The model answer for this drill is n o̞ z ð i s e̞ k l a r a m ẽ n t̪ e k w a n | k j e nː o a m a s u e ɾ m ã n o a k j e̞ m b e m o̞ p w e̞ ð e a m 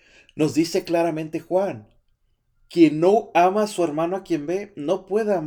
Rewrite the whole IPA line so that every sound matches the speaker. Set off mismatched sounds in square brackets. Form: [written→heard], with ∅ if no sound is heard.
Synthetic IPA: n o̞ z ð i s e̞ k l a [r→ɾ] a m ẽ n t̪ e [k→x] w a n | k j e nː o a m a s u e ɾ m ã n o a k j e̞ m b e [m→n] o̞ p w e̞ ð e a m